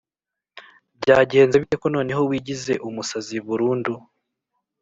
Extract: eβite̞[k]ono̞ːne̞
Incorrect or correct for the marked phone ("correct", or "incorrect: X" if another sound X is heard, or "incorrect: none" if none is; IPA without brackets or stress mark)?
correct